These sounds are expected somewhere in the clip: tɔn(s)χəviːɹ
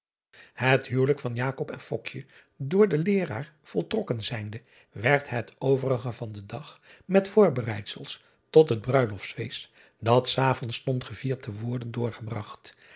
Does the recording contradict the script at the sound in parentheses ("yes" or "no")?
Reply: yes